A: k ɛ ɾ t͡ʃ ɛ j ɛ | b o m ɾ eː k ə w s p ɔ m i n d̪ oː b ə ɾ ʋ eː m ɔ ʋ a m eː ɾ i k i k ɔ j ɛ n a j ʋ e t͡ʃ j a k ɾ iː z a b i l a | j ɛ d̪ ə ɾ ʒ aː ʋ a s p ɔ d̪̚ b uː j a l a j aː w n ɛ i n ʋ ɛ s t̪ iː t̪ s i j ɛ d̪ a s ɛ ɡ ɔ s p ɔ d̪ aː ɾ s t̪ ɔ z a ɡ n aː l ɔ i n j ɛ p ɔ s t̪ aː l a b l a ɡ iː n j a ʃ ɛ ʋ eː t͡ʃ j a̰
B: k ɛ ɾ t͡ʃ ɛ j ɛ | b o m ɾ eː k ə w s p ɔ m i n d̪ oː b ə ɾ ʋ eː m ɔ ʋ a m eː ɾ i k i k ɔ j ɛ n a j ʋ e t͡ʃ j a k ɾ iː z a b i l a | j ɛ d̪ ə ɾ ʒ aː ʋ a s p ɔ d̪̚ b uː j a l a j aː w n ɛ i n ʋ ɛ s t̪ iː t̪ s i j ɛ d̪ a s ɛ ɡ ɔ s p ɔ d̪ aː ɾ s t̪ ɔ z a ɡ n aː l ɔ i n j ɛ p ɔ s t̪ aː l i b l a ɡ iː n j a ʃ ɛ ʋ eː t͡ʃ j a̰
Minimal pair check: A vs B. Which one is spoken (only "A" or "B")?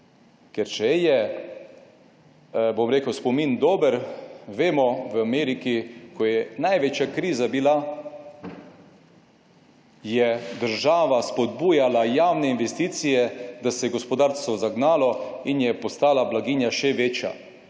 A